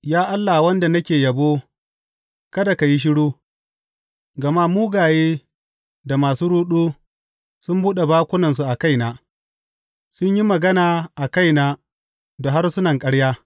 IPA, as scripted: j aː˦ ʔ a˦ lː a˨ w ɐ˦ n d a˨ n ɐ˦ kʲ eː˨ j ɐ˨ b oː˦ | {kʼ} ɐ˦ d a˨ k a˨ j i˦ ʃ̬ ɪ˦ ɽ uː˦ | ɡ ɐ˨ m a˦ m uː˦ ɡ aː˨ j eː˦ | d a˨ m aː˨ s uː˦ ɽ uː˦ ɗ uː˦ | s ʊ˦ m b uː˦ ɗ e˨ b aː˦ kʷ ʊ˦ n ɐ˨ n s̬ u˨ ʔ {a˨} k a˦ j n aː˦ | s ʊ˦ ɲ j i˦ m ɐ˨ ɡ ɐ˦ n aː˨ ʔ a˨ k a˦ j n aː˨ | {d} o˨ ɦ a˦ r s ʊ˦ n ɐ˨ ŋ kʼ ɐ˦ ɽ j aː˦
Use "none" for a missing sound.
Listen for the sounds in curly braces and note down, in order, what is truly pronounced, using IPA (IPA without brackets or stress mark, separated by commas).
k, a˨, d